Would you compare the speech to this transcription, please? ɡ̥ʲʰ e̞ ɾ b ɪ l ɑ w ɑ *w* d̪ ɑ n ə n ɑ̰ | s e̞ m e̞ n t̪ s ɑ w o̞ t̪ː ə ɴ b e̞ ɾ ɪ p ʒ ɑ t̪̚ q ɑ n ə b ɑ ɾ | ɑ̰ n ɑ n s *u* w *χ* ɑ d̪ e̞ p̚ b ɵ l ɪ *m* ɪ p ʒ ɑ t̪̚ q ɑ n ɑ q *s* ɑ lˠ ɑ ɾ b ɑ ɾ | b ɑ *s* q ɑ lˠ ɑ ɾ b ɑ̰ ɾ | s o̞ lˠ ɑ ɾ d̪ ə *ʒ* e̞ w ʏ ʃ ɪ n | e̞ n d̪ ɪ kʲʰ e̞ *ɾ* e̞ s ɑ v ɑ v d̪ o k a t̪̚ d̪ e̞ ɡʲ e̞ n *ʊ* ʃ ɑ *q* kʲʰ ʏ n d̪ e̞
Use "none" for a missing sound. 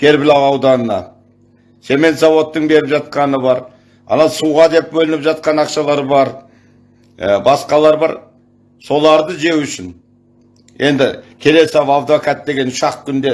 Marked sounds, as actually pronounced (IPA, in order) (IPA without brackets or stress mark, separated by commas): w, u, ʁ, n, ʃ, s, ʒ, l, ʊ, q